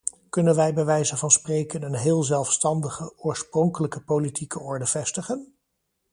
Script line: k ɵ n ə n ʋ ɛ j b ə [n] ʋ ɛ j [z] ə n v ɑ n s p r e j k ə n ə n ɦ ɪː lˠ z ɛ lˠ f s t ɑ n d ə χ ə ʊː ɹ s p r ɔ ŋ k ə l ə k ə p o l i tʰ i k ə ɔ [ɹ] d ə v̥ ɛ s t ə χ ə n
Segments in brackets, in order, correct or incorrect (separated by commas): incorrect, correct, correct